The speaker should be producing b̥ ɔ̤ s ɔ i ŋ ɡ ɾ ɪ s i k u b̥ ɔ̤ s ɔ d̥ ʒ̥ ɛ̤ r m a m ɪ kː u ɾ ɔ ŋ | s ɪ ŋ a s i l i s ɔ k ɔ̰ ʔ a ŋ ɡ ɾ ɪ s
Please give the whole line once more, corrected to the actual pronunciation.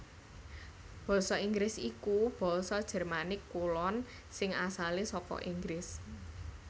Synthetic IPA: b̥ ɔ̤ s ɔ i ŋ ɡ ɾ ɪ s i k u b̥ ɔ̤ s ɔ d̥ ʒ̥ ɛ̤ r m a n ɪ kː u l ɔ n | s ɪ ŋ a s a l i s ɔ k ɔ̰ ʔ i ŋ ɡ ɾ ɪ s